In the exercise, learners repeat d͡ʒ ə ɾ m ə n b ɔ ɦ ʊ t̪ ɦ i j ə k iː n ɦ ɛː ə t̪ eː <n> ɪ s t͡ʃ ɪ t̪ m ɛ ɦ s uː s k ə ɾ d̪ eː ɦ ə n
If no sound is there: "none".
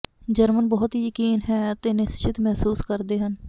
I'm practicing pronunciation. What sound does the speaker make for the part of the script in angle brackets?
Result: n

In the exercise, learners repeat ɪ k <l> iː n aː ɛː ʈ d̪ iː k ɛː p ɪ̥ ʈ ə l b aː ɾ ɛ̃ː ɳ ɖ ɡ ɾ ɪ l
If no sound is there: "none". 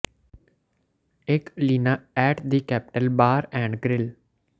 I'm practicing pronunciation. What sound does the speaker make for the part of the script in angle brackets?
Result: l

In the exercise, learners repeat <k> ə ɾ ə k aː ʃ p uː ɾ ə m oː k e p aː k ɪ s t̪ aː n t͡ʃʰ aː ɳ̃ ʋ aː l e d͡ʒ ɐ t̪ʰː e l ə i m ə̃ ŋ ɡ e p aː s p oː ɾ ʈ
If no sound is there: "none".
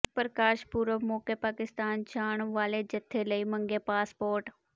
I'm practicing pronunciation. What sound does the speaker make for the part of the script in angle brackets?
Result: p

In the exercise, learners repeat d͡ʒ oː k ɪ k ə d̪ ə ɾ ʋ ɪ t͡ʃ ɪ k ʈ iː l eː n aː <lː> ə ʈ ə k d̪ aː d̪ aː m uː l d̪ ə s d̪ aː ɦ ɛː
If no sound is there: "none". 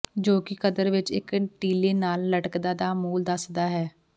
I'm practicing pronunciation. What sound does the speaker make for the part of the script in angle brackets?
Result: lː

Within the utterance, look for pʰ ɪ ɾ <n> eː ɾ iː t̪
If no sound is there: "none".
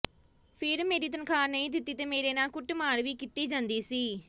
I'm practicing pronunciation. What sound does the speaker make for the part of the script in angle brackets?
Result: m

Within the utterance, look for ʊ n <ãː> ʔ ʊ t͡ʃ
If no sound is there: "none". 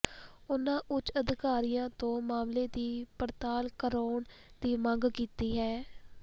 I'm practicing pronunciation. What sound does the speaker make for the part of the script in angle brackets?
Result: ãː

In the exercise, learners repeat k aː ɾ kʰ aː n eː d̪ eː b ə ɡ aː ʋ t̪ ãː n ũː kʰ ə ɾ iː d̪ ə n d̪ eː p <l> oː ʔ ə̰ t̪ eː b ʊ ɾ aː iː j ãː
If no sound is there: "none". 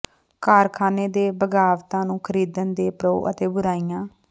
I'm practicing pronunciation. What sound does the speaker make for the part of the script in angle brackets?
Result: ɾ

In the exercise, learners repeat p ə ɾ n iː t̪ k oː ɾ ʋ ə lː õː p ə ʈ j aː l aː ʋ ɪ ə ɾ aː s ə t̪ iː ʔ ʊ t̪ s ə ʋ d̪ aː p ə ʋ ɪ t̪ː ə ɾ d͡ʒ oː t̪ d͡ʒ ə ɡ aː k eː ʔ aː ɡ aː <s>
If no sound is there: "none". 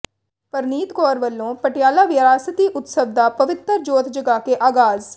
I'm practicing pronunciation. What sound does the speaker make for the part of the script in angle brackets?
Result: z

